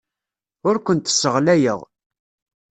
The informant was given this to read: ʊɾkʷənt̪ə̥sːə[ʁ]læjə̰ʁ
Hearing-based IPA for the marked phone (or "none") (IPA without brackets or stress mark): ʁ